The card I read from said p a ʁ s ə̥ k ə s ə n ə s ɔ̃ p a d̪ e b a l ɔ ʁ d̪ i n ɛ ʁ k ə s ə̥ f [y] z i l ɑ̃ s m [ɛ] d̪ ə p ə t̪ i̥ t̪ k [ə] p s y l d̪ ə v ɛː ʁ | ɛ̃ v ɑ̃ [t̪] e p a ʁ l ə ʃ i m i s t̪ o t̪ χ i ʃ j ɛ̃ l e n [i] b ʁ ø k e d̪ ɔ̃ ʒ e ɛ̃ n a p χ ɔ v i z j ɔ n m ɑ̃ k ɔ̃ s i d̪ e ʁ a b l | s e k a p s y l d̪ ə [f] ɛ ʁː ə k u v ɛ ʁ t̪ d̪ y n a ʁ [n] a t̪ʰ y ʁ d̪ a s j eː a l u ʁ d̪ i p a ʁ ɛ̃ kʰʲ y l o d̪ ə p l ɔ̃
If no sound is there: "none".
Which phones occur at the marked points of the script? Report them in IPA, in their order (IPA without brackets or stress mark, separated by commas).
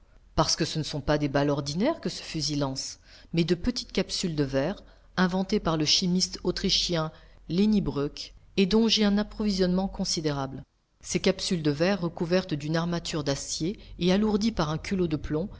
y, ɛ, a, t̪, i, v, m